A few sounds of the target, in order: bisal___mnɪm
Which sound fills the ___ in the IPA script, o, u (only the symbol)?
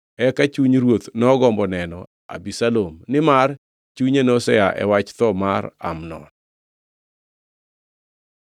o